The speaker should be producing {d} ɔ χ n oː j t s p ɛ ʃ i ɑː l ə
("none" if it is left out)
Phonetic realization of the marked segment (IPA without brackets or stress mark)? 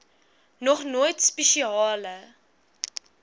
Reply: n